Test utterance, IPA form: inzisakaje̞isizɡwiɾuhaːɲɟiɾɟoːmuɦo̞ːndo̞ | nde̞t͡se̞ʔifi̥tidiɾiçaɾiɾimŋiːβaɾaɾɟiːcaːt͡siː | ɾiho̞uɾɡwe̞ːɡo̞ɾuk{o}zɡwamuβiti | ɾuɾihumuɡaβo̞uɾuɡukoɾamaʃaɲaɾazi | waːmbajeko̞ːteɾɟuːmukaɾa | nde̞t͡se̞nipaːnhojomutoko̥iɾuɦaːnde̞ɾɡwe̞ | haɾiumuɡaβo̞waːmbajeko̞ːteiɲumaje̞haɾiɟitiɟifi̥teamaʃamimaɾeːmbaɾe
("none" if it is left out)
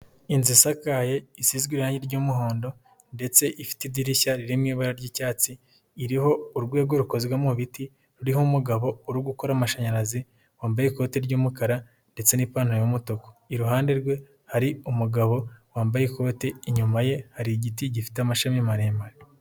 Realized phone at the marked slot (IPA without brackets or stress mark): o